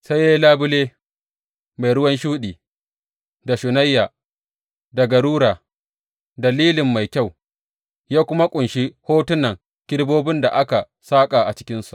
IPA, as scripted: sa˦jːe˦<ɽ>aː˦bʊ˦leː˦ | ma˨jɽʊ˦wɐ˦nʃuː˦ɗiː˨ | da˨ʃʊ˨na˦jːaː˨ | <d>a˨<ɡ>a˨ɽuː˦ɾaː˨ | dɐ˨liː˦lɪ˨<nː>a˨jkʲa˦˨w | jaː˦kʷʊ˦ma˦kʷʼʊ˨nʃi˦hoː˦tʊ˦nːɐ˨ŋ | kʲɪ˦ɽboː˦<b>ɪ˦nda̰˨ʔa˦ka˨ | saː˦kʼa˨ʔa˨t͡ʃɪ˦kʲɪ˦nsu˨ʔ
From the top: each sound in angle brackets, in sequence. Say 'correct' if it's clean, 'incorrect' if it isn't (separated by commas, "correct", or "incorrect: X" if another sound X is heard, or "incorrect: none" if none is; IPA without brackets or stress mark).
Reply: incorrect: l, correct, correct, incorrect: mː, correct